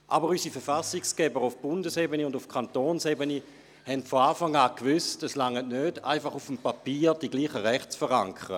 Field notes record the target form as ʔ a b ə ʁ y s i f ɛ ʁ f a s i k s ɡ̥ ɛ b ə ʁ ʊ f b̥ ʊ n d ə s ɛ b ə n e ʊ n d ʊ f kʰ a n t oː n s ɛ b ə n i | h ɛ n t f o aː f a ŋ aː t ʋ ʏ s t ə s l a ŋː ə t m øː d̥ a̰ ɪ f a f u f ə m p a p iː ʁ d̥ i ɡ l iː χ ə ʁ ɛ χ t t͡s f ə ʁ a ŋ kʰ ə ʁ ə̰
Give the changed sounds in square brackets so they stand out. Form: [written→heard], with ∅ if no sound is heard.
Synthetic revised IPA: ʔ a b ə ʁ y s i f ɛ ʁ f a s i k s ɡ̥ ɛ b ə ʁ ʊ f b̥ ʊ n d ə s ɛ b ə n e ʊ n d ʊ f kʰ a n t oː n s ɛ b ə n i | h ɛ n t f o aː f a ŋ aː [t→k] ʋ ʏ s t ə s l a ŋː ə t [m→n] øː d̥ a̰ ɪ f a [f→χ] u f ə m p a p iː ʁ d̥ i ɡ l iː χ ə ʁ ɛ χ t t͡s f ə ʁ a ŋ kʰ ə ʁ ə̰

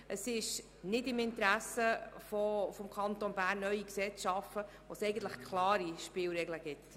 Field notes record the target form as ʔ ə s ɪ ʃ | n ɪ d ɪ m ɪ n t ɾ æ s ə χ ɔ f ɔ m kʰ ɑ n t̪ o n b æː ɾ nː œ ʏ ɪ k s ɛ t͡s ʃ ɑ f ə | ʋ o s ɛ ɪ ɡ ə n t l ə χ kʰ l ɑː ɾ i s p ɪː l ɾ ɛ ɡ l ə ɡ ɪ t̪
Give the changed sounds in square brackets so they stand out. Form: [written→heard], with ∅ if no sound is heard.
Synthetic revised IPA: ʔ ə s ɪ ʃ | n ɪ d ɪ m ɪ n t ɾ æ s ə [χ→f] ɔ f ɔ m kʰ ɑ n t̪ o n b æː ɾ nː œ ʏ [ɪ→i] k s ɛ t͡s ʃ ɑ f ə | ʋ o s ɛ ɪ ɡ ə n t l ə χ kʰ l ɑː ɾ i [s→ʃ] p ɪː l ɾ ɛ ɡ l ə ɡ ɪ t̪

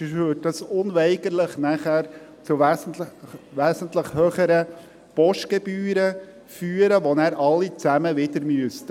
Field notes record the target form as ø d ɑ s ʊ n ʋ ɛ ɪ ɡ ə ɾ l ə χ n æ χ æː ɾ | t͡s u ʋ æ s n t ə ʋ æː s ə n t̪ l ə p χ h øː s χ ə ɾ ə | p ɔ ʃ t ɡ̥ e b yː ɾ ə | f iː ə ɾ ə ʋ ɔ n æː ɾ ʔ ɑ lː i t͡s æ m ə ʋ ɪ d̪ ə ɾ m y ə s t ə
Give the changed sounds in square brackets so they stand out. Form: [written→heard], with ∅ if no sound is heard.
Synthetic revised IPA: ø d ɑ s ʊ n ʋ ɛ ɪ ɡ ə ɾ l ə χ n æ χ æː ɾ | t͡s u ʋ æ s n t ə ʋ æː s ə n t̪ l ə [p→∅] χ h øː [s→∅] χ ə ɾ ə | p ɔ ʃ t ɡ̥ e b yː ɾ ə | f [iː→yː] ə ɾ ə ʋ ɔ n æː ɾ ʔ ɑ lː i t͡s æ m ə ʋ ɪ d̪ ə ɾ m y ə s t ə

